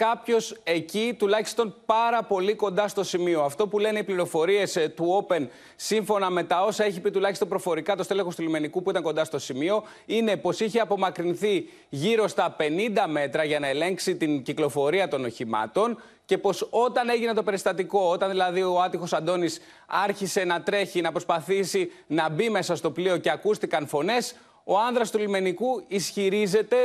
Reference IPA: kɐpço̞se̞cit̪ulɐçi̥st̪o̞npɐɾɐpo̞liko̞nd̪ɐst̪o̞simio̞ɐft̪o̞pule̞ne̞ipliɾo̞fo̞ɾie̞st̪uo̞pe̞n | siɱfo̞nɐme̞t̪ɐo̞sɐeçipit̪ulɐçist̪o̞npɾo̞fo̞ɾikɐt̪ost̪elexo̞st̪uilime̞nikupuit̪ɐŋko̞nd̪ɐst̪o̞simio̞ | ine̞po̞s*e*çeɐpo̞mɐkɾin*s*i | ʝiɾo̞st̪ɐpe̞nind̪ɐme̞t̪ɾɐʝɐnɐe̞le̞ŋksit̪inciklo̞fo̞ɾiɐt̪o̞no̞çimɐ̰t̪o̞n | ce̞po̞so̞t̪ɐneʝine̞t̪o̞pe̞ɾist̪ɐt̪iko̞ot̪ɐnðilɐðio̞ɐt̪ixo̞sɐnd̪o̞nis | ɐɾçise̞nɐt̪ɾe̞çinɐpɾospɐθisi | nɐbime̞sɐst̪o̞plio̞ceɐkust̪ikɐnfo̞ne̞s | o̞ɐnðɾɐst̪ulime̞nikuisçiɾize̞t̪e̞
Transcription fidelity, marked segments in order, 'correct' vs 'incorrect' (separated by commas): incorrect, incorrect